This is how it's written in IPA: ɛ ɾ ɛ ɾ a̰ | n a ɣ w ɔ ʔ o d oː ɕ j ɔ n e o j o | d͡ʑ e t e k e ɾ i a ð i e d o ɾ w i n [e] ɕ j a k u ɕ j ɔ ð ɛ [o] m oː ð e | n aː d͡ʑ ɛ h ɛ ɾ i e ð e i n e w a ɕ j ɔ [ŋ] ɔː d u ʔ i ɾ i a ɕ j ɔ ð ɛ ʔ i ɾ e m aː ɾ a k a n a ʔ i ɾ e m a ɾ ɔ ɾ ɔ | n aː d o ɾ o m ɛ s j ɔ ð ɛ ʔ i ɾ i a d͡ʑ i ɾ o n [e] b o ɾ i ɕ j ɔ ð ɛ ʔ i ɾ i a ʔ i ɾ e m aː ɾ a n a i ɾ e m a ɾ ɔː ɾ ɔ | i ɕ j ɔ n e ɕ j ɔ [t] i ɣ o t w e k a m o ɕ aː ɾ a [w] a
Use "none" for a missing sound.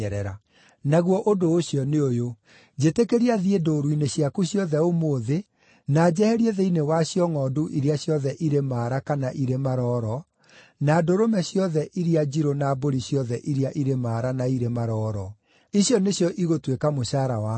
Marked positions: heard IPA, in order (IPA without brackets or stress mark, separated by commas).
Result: e, o, ŋ, a, ʔ, w